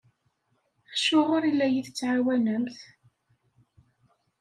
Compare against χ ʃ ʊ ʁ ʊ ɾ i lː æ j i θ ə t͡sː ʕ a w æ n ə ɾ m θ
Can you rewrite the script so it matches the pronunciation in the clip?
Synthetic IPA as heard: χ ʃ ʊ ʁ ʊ ɾ i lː æ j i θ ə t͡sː ʕ a w æ n ə m θ